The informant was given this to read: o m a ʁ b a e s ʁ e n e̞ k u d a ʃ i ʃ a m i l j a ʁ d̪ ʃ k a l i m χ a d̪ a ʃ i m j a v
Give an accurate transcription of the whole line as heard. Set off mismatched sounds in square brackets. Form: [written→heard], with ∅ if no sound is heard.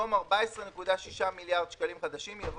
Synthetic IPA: o m a ʁ b a e s ʁ e n e̞ k u d a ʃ i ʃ a m i l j a ʁ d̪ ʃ k a l i m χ a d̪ a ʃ i m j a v